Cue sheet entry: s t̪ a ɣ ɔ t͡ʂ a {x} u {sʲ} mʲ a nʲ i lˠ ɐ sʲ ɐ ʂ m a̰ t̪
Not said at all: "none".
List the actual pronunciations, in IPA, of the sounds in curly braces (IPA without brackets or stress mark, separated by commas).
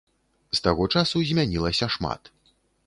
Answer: s, zʲ